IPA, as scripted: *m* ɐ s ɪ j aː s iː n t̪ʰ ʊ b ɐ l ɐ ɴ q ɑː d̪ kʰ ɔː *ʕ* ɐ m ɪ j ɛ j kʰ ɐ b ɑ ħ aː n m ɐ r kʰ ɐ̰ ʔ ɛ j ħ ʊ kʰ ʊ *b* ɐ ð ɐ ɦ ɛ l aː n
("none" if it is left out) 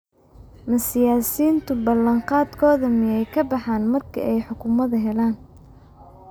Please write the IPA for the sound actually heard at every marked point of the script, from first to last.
m, ð, m

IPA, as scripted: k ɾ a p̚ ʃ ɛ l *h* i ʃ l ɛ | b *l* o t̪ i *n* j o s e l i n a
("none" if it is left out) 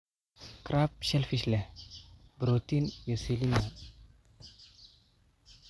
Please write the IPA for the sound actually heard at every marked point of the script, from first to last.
f, ɾ, n

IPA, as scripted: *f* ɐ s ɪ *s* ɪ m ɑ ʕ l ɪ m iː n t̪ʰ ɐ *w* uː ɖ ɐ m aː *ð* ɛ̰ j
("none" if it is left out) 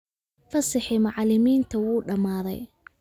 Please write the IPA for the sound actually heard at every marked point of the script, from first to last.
f, ħ, w, ð

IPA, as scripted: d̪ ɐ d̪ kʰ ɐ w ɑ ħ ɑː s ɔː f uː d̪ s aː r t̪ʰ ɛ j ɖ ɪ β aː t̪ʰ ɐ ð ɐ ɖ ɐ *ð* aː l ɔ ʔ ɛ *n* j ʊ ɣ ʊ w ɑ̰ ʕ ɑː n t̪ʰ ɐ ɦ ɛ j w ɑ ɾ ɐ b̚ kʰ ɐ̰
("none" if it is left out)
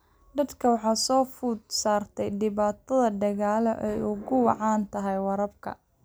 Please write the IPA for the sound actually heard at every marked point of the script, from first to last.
ɣ, none

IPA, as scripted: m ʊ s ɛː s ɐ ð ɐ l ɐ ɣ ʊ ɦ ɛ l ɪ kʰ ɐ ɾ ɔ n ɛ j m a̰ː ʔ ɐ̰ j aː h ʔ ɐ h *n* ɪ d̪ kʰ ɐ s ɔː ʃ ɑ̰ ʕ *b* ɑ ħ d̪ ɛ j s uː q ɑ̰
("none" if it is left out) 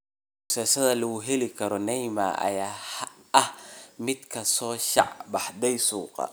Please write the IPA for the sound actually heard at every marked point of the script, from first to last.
m, b

